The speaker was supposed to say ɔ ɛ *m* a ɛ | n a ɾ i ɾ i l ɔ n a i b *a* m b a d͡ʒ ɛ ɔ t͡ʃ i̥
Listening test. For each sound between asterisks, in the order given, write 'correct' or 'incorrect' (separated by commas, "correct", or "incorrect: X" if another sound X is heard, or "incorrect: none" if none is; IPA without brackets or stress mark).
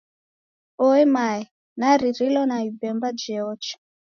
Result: correct, incorrect: ɛ